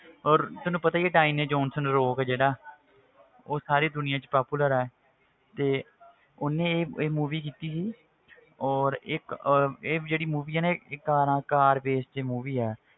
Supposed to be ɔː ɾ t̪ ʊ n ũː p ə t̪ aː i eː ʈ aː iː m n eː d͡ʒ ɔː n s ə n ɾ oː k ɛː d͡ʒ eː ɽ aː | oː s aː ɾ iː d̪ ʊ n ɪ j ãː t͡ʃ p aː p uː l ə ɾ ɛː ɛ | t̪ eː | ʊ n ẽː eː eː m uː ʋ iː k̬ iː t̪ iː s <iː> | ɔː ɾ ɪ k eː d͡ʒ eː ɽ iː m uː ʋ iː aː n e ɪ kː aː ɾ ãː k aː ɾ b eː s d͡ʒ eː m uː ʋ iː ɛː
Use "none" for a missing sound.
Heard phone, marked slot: iː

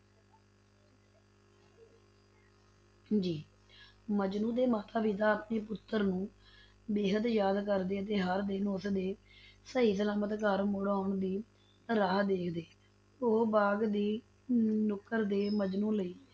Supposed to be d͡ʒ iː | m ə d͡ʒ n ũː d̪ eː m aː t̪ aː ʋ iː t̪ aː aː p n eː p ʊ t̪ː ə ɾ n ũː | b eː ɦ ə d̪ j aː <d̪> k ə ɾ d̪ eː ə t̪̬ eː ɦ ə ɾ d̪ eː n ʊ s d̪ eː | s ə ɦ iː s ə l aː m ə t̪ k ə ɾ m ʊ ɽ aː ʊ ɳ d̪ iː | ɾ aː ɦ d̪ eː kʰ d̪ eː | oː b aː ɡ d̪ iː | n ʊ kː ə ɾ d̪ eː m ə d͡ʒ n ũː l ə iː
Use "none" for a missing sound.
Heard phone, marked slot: d̪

